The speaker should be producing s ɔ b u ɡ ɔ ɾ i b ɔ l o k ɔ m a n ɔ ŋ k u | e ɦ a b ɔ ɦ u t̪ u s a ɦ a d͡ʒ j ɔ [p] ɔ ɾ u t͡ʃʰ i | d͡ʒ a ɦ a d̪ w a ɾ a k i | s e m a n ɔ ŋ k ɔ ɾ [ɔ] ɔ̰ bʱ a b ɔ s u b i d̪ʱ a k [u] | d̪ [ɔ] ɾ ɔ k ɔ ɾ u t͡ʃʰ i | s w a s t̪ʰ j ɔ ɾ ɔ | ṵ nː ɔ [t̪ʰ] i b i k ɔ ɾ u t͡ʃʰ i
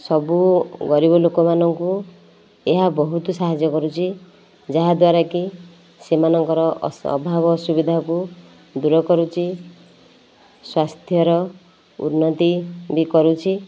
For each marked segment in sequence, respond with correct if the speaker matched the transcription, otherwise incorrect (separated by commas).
incorrect, correct, correct, incorrect, incorrect